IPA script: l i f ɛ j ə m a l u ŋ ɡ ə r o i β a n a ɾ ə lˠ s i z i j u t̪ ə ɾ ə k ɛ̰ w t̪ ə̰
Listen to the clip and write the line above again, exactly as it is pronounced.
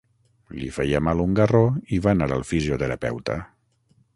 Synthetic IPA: l i f ɛ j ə m a l u ŋ ɡ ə r o i β a n a ɾ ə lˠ f i z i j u t̪ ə ɾ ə p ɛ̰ w t̪ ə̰